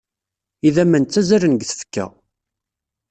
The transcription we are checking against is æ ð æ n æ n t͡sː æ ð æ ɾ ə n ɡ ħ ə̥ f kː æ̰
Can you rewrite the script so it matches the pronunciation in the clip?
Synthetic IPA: i ð æ m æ n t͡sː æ z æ ɾ ə n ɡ θ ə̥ f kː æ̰